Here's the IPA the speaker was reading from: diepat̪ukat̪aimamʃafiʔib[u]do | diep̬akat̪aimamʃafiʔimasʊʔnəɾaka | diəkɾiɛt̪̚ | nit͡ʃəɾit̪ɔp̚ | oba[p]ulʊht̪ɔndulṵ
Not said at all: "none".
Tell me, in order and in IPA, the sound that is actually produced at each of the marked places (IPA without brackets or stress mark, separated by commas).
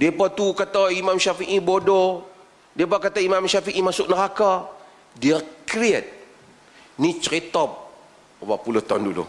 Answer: o, p